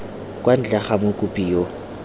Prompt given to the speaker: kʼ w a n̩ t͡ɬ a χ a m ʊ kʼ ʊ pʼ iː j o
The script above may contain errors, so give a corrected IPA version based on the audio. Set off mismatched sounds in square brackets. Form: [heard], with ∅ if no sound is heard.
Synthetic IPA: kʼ w a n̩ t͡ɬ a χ a m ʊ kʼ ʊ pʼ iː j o

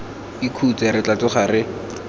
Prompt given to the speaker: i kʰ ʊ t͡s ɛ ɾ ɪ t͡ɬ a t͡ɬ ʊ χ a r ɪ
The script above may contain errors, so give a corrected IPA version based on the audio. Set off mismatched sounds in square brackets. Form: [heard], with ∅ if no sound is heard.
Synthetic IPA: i kʰ [u] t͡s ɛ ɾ ɪ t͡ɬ a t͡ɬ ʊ χ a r ɪ

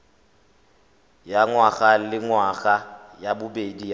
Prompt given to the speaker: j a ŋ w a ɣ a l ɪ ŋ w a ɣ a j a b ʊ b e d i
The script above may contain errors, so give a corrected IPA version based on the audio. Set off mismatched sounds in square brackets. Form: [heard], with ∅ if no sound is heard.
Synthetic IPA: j a ŋ w a ɣ a l ɪ ŋ w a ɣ a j a b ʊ b e d i

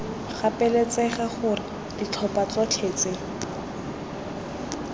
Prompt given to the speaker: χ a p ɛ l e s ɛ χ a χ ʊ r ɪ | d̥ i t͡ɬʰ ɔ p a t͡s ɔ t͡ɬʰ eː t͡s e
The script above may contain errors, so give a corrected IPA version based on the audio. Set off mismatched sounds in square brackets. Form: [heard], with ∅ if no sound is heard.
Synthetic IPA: χ a p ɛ l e [t͡s] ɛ χ a χ ʊ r ɪ | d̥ i t͡ɬʰ ɔ p a t͡s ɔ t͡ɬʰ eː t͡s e

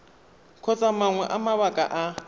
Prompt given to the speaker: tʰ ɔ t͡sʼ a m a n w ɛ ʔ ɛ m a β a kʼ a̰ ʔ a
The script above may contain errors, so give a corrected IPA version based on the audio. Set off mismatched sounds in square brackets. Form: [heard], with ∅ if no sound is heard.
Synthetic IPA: [kʰ] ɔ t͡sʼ a m a [ŋ] w ɛ ʔ [a] m a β a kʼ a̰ ʔ a

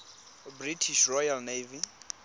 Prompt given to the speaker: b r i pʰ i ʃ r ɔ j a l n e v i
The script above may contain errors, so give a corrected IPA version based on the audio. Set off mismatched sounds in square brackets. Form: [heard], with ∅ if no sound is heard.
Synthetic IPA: b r i [tʰ] i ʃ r ɔ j a l n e v i

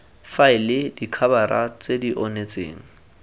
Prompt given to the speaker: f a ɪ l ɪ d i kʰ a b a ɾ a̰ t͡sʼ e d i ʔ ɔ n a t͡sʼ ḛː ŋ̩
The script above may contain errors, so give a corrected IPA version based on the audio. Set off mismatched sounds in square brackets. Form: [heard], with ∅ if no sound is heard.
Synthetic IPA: f a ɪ l ɪ d i kʰ a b a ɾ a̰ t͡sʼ e d i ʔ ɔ n [e] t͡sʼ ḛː ŋ̩

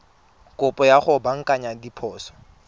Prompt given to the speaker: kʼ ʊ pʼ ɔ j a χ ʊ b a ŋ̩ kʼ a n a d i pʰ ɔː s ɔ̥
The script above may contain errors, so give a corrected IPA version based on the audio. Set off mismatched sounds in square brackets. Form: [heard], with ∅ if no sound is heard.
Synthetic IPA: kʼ ʊ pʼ ɔ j a χ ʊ b a ŋ̩ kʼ a [ɲ] a d i pʰ ɔː s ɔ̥

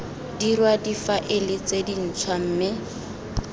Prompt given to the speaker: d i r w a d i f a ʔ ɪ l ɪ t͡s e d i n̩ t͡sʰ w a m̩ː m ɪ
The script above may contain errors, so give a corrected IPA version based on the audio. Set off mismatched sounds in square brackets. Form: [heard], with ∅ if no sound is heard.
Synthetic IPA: d i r w a d i f a ʔ ɪ l ɪ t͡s e d i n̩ t͡sʰ w a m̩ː m ɪ

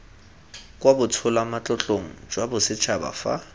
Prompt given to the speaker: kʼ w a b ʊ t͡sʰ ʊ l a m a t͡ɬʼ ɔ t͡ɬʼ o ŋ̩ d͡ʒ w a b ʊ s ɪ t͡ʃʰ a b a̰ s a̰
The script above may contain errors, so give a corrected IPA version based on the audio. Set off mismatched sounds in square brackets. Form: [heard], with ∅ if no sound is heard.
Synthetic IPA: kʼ w a b ʊ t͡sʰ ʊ l a m a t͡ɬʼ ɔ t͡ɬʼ o ŋ̩ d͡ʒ w a b ʊ s ɪ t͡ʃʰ a b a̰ [f] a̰

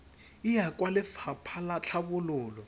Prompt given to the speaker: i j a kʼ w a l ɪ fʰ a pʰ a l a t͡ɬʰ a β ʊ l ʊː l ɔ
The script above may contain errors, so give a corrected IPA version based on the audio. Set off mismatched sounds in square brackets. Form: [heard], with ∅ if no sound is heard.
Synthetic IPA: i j a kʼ w a l ɪ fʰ a pʰ a l a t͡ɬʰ a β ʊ l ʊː l ɔ

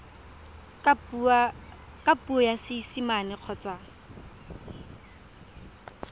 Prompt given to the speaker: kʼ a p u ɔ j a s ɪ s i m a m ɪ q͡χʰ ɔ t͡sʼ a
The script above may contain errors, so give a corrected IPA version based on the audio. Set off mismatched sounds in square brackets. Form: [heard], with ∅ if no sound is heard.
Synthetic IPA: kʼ a p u ɔ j a s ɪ s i m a [n] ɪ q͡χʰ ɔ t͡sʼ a

